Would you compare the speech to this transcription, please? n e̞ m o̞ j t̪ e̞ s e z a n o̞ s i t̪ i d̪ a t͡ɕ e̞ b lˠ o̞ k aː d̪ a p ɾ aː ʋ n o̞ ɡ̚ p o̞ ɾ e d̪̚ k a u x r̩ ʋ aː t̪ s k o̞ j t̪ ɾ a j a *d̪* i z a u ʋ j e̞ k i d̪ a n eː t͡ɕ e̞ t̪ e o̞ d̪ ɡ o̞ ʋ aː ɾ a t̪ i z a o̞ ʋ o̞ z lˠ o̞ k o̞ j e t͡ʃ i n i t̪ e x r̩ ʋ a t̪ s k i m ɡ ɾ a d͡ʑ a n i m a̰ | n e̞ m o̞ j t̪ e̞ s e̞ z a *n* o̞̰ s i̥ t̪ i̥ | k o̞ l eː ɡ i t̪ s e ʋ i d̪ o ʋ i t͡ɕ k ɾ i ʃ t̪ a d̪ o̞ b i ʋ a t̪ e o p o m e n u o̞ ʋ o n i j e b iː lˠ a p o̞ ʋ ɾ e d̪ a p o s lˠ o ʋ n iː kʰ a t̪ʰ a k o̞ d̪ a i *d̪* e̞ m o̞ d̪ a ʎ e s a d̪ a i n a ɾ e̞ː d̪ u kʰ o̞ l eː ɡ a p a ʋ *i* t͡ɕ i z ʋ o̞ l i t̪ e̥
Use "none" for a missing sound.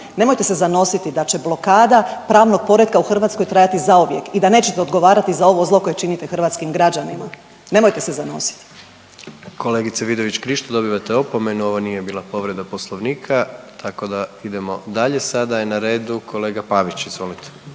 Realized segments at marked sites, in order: t̪, n, d̪, i

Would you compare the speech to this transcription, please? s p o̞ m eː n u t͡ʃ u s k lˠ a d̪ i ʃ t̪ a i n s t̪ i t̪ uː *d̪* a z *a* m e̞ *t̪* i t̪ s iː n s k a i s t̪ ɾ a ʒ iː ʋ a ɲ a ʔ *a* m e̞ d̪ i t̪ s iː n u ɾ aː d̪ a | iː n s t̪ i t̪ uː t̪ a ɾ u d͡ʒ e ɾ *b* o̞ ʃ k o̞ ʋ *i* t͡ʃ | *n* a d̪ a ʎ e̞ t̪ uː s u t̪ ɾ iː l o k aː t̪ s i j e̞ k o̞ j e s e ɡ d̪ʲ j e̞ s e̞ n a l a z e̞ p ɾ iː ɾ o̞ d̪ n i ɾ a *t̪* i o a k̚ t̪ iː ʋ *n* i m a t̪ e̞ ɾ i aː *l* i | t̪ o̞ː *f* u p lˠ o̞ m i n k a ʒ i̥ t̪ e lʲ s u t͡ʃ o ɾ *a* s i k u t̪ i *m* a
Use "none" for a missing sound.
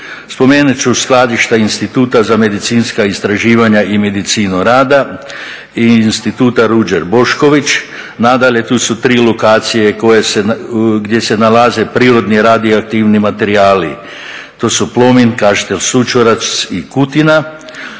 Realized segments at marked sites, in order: t̪, a, d̪, i, b, i, n, d̪, n, l, s, a, n

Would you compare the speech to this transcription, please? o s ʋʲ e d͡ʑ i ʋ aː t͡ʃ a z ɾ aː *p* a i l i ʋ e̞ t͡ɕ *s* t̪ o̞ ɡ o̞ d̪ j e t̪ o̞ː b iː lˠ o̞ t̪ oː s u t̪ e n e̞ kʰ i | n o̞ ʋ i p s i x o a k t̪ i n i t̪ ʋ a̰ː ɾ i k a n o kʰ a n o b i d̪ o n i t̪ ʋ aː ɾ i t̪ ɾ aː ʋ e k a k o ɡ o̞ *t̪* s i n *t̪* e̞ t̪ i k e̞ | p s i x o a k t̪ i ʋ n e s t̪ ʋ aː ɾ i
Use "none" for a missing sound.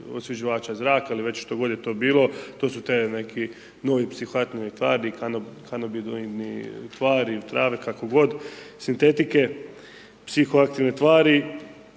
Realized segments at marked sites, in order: k, ʃ, d̪, t̪

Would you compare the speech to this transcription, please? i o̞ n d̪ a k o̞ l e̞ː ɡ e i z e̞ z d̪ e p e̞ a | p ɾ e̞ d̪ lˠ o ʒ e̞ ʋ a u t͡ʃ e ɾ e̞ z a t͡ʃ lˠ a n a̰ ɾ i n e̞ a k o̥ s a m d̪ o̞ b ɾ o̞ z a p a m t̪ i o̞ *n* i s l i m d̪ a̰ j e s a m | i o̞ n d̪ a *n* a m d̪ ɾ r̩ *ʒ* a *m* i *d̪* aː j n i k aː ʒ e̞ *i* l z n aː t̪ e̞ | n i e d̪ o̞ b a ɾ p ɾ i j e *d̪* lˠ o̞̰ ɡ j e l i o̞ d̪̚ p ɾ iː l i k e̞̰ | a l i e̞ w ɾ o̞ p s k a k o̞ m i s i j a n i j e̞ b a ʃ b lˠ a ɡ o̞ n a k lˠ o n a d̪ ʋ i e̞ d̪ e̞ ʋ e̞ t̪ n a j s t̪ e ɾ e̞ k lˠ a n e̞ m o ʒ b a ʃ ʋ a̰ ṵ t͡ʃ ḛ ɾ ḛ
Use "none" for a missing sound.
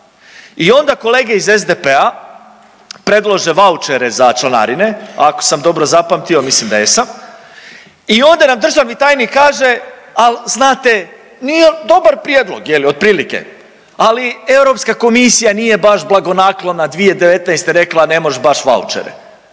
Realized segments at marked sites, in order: m, n, ʒ, m, t̪, a, d̪

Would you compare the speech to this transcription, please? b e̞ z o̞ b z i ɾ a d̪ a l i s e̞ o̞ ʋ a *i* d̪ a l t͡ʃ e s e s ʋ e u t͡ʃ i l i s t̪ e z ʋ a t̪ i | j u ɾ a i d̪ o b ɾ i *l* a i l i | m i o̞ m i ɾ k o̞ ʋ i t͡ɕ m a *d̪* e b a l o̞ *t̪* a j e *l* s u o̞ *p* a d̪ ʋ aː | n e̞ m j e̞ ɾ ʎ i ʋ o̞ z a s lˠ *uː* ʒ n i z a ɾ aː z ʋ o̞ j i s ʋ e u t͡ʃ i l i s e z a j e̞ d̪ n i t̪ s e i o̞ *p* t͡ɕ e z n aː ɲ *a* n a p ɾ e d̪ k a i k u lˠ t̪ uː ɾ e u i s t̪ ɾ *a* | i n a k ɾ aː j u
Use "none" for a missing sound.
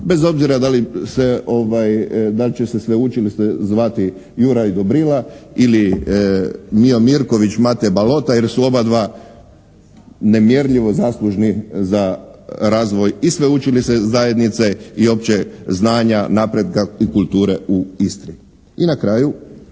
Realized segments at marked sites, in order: j, l, t̪, t̪, ɾ, b, u, p, a, i

